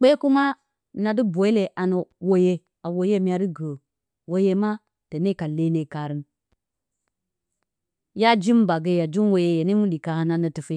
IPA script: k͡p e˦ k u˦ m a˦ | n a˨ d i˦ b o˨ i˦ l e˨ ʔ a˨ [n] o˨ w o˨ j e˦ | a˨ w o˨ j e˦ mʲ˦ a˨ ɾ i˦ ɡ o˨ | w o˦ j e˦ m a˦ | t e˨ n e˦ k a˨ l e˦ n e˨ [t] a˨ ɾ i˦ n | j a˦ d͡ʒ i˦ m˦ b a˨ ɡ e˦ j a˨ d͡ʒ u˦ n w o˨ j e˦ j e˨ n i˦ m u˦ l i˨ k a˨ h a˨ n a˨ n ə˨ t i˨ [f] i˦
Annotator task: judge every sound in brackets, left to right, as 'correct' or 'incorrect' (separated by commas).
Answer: correct, incorrect, correct